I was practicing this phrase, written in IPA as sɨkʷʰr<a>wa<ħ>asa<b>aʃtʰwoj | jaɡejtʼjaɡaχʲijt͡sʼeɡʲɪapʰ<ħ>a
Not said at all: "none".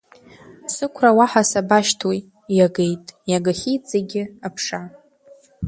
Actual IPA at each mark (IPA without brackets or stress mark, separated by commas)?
a, ħ, b, ʂ